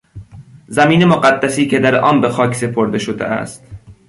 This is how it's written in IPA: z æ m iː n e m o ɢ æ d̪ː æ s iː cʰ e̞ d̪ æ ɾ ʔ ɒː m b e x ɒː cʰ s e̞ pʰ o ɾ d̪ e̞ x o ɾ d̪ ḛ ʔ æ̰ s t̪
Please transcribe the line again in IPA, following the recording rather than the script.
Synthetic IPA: z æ m iː n e m o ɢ æ d̪ː æ s iː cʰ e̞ d̪ æ ɾ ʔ ɒː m b e x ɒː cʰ s e̞ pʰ o ɾ d̪ e̞ ʃ o d̪ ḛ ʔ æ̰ s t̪